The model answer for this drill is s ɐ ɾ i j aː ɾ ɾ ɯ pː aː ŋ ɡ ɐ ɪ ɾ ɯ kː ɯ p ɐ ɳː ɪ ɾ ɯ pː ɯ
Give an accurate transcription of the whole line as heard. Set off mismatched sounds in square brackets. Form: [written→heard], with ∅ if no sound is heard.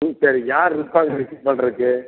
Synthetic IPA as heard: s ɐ ɾ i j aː ɾ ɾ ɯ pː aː ŋ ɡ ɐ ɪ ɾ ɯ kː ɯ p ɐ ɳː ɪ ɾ ɯ [pː→kː] ɯ